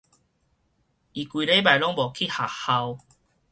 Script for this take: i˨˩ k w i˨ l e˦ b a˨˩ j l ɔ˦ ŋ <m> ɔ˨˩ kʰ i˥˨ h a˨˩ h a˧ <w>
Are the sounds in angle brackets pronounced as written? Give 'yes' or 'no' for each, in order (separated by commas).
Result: no, yes